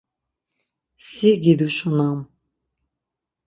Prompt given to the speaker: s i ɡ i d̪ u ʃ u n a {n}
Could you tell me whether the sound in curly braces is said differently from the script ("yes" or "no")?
yes